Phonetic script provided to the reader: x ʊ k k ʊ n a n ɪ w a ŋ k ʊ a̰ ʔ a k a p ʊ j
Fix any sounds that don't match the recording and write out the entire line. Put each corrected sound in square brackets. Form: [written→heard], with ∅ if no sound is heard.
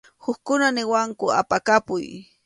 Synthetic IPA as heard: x ʊ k k ʊ n a n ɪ w a ŋ k ʊ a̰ [ʔ→p] a k a p ʊ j